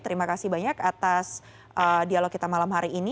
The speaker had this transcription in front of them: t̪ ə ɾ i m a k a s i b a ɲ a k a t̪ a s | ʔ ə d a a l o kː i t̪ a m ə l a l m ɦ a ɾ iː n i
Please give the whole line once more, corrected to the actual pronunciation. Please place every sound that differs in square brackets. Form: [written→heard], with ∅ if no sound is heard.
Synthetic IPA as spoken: t̪ ə ɾ i m a k a s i b a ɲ a k a t̪ a s | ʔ ə d [a→i] a l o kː i t̪ a m [ə→a] l a [l→∅] m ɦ a ɾ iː n i